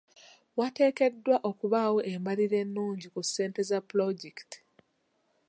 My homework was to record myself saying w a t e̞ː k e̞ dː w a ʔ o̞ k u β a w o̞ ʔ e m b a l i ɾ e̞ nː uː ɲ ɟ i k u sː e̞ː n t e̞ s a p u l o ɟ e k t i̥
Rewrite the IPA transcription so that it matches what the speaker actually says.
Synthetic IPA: w a t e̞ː k e̞ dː w a ʔ o̞ k u β a w o̞ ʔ e m b a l i ɾ e̞ nː uː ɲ ɟ i k u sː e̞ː n t e̞ z a p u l o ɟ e k t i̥